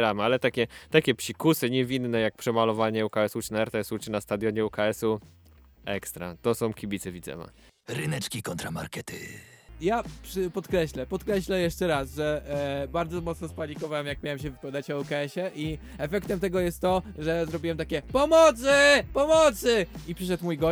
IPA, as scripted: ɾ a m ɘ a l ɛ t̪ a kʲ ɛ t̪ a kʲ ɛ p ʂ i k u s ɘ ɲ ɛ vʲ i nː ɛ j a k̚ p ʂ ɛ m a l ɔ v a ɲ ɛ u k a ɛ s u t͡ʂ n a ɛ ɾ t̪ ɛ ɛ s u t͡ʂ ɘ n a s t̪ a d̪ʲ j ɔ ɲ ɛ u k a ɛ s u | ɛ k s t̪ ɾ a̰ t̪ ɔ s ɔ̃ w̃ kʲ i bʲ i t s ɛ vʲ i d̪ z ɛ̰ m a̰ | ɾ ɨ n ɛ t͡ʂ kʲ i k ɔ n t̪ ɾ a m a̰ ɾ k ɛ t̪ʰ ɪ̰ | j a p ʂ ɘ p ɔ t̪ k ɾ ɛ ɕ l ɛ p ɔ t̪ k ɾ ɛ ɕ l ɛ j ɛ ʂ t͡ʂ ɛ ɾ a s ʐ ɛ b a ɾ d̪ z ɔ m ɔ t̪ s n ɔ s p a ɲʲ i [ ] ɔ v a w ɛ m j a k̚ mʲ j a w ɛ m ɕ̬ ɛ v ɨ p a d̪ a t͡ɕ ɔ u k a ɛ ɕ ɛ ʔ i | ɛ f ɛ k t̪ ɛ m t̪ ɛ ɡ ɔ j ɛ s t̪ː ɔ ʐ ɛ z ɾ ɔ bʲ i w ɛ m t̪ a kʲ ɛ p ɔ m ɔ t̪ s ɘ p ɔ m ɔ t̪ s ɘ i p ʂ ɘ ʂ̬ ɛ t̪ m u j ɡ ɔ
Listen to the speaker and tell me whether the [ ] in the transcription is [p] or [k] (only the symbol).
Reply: k